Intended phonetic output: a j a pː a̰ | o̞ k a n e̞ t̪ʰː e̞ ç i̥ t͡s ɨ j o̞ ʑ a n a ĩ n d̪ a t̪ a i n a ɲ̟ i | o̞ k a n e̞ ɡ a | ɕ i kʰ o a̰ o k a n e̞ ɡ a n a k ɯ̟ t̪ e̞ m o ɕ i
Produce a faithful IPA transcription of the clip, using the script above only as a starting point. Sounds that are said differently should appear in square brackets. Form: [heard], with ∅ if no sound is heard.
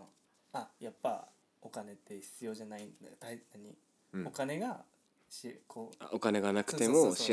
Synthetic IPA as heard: a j a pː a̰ | o̞ k a n e̞ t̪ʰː e̞ ç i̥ t͡s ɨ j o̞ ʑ a n a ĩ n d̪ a t̪ a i n a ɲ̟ i | o̞ k a n e̞ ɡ a | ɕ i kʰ o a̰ o k a n e̞ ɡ a n a k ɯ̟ t̪ e̞ m o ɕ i